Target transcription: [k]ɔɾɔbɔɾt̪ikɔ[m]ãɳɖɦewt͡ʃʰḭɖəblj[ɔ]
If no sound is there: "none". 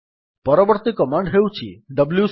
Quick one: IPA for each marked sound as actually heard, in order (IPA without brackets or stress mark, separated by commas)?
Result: p, m, u